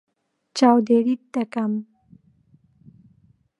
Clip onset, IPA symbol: t͡ʃ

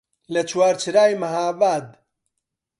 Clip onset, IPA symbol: l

